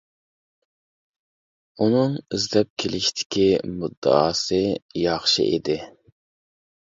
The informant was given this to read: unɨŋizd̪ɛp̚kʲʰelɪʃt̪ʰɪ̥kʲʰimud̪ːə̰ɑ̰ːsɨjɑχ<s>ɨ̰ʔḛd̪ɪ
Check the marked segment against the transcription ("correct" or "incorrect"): incorrect